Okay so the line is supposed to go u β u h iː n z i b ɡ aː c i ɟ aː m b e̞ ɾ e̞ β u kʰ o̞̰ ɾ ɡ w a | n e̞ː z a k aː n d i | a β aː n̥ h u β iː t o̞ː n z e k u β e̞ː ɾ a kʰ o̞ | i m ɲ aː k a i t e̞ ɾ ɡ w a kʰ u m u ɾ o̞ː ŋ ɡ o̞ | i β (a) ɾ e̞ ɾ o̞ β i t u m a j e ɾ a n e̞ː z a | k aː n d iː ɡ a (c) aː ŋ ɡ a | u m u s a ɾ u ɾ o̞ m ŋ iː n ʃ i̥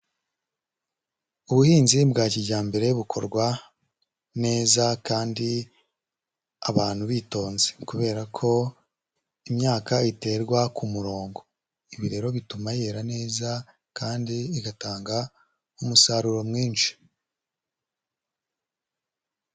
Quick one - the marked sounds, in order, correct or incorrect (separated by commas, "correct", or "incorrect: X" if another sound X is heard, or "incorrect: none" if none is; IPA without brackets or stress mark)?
incorrect: i, incorrect: t